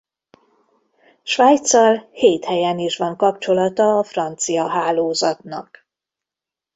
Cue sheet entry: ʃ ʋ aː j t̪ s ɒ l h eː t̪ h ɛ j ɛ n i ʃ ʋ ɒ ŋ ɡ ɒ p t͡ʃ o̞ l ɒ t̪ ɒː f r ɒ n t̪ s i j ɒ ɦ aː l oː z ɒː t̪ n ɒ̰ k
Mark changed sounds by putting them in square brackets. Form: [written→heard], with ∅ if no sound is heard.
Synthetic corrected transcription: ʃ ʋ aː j t̪ s ɒ l h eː t̪ h ɛ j ɛ n i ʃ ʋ ɒ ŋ [ɡ→k] ɒ p t͡ʃ o̞ l ɒ t̪ ɒː f r ɒ n t̪ s i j ɒ ɦ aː l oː z [ɒː→ɒ] t̪ n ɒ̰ k